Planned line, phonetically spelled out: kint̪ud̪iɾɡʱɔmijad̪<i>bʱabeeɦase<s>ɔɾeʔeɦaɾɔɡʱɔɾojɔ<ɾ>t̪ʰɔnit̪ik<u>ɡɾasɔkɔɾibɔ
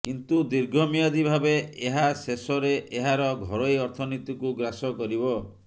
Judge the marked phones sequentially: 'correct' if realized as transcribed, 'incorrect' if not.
correct, correct, correct, correct

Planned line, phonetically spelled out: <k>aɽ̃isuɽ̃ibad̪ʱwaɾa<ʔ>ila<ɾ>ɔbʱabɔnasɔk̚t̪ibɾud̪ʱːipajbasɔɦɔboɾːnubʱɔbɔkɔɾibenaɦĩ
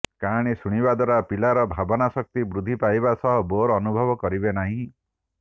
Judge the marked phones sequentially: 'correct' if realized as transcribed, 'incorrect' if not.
correct, incorrect: p, correct

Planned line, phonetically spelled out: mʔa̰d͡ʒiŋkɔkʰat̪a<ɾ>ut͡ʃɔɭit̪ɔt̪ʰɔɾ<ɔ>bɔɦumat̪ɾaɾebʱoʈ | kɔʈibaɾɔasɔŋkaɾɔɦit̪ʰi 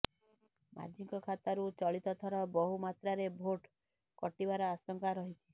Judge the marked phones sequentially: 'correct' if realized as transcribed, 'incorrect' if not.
correct, correct

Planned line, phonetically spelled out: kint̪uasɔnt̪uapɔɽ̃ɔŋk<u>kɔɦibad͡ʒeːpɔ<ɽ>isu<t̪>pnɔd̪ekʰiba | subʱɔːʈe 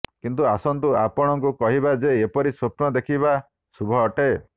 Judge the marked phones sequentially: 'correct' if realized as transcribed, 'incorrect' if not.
correct, incorrect: ɾ, incorrect: none

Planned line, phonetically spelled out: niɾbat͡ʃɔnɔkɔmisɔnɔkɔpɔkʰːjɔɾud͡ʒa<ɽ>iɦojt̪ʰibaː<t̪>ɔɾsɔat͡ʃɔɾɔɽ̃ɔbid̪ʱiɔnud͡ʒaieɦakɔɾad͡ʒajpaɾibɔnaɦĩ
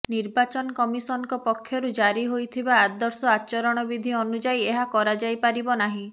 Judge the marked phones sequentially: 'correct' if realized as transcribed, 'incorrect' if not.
incorrect: ɾ, incorrect: d̪

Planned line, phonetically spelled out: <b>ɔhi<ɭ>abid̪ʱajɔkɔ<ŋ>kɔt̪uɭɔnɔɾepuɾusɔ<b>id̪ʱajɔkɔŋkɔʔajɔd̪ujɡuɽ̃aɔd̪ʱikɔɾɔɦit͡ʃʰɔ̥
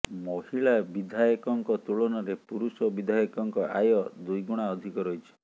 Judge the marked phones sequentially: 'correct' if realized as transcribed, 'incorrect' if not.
incorrect: m, correct, correct, correct

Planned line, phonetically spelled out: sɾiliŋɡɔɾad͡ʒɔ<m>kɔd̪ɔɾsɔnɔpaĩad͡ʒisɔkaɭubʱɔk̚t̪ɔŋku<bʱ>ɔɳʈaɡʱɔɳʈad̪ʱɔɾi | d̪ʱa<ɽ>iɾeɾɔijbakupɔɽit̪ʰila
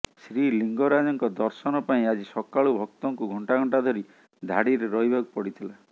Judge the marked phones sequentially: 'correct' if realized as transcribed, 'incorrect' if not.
incorrect: ŋ, incorrect: ɡʱ, correct

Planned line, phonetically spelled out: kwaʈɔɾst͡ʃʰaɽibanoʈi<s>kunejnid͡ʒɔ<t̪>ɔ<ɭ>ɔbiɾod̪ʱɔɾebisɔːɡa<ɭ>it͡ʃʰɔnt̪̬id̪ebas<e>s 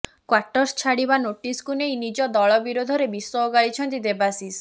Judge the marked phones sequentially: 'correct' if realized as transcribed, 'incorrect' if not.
correct, incorrect: d̪, correct, correct, incorrect: i

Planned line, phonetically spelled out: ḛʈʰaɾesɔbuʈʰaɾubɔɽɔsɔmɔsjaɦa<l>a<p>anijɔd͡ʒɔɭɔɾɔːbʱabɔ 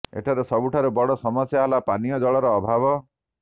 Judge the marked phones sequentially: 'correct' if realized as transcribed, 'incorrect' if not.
correct, correct

